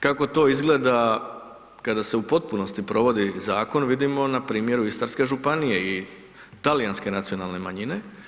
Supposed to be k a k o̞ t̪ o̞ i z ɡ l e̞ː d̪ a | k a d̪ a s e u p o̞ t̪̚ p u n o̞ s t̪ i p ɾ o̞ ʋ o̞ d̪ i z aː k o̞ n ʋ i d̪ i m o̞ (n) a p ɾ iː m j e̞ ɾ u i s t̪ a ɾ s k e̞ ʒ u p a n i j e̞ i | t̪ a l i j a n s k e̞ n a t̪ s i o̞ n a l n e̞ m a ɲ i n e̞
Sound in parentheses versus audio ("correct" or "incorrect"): correct